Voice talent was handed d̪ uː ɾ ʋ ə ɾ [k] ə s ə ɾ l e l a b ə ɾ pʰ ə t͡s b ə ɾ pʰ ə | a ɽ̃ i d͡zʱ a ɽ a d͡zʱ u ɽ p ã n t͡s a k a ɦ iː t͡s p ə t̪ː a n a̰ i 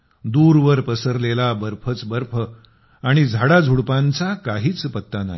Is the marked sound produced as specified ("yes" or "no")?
no